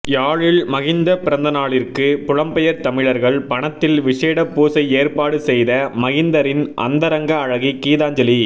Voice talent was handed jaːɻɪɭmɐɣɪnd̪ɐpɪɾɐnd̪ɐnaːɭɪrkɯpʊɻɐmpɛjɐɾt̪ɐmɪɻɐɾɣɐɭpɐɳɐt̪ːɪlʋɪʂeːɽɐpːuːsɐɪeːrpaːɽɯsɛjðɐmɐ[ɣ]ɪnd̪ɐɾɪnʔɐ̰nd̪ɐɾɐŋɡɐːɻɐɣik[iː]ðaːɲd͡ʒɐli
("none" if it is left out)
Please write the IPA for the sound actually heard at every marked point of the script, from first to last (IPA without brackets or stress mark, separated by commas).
ɣ, iː